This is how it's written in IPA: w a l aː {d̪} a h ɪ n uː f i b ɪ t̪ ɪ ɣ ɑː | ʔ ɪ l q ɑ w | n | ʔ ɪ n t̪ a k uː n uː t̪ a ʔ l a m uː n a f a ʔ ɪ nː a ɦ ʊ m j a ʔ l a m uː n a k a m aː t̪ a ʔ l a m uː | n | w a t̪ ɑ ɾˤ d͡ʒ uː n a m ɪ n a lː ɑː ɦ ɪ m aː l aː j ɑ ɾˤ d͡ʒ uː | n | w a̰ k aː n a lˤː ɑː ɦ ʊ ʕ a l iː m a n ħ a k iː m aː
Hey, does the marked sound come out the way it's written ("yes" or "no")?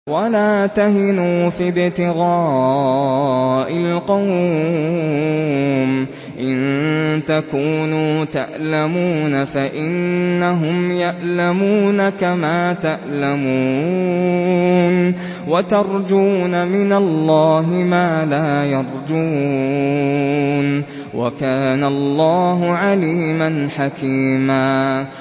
no